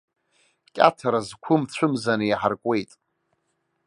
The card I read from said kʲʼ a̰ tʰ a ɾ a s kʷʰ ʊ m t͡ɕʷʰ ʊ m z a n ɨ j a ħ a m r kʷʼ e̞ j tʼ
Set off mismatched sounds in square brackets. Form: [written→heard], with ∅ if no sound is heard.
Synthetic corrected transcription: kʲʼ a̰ tʰ a ɾ a [s→z] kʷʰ ʊ m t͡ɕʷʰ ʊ m z a n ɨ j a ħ a [m→∅] r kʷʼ e̞ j tʼ